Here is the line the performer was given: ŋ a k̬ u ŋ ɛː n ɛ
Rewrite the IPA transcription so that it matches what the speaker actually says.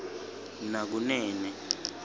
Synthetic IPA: n a k̬ u n ɛː n ɛ